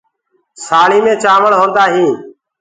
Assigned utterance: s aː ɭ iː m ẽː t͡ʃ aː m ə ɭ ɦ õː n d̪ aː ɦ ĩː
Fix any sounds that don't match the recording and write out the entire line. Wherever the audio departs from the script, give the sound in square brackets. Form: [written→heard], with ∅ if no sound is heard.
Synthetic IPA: s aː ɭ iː m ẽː t͡ʃ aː m ə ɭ ɦ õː n d̪ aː ɦ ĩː